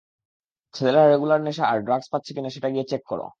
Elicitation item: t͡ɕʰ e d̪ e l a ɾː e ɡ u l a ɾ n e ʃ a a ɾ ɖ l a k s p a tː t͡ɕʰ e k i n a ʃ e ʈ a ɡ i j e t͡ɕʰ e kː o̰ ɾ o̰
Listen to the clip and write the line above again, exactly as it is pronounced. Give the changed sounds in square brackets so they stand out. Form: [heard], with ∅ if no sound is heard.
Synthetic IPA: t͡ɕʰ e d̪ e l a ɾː e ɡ u l a ɾ n e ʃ a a ɾ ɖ [ɾ] a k s p a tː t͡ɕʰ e k i n a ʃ e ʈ a ɡ i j e [t͡ɕ] e kː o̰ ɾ o̰